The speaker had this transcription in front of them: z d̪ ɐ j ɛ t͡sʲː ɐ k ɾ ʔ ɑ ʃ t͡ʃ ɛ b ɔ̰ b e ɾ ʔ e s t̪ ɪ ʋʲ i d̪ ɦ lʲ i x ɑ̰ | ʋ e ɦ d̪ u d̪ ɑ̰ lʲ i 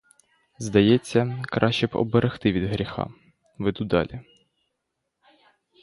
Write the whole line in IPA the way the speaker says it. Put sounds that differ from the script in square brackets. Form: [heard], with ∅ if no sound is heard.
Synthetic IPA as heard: z d̪ ɐ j ɛ t͡sʲː ɐ k ɾ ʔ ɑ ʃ t͡ʃ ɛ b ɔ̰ b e ɾ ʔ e [x] t̪ ɪ ʋʲ i d̪ ɦ [ɾʲ] i x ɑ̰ | ʋ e [∅] d̪ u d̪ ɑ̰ lʲ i